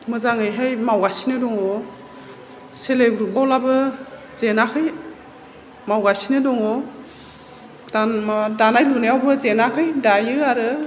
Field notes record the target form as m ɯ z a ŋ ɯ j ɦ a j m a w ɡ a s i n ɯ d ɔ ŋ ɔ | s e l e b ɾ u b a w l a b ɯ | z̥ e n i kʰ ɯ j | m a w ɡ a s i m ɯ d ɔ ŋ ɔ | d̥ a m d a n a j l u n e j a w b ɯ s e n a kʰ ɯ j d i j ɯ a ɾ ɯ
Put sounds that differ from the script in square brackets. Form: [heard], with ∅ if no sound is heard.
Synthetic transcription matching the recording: m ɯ z a ŋ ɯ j ɦ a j m a w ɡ a s i n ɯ d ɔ ŋ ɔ | s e l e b ɾ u b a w l a b ɯ | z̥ e n [a] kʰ ɯ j | m a w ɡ a s i [n] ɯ d ɔ ŋ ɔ | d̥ a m d a n a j l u n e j a w b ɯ [z] e n a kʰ ɯ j d [a] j ɯ a ɾ ɯ